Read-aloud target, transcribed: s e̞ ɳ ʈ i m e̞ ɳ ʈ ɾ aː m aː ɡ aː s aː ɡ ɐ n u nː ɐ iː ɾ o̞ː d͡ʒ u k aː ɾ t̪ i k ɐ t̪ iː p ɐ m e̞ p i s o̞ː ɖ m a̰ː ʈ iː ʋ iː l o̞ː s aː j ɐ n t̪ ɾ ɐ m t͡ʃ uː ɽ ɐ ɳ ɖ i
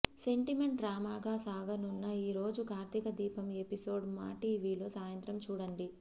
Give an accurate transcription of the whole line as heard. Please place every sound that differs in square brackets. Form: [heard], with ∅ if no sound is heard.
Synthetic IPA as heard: s e̞ ɳ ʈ i m e̞ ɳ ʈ ɾ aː m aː ɡ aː s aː ɡ ɐ n u nː ɐ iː ɾ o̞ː d͡ʒ u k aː ɾ t̪ i k ɐ [d̪] iː p ɐ m e̞ p i s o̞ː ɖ m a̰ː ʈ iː ʋ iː l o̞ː s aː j ɐ n t̪ ɾ ɐ m t͡ʃ uː ɽ ɐ ɳ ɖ i

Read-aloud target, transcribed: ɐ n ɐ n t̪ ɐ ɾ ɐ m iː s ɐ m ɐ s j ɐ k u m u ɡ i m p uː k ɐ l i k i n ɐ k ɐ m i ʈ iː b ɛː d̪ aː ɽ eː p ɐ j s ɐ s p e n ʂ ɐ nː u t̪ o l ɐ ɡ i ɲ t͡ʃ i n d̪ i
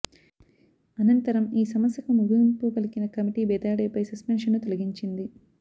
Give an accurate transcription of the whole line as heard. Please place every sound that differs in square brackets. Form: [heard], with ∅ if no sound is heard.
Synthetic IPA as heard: ɐ n ɐ n t̪ ɐ ɾ ɐ m iː s ɐ m ɐ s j ɐ k u m u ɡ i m p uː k ɐ l i k i n ɐ k ɐ m i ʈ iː b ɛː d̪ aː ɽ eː p ɐ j s ɐ s p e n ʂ ɐ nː u t̪ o l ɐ ɡ i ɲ t͡ʃ i n d̪ i

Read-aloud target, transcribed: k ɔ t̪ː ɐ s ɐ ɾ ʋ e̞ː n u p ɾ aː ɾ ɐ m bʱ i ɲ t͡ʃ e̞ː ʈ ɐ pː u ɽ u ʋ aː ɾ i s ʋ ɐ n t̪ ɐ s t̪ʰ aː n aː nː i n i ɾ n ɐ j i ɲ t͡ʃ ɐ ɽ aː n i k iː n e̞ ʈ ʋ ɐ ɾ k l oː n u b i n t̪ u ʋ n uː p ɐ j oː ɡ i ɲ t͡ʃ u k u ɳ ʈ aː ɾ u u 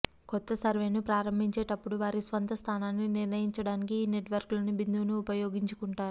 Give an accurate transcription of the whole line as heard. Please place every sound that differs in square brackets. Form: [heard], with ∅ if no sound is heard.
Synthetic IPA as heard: k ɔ t̪ː ɐ s ɐ ɾ ʋ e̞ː n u p ɾ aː ɾ ɐ m bʱ i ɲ t͡ʃ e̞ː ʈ ɐ pː u ɽ u ʋ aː ɾ i s ʋ ɐ n t̪ ɐ s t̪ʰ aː n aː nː i n i ɾ n ɐ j i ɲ t͡ʃ ɐ ɽ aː n i k iː n e̞ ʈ ʋ ɐ ɾ k l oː n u b i n [d̪] u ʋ n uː p ɐ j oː ɡ i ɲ t͡ʃ u k u ɳ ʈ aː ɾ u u

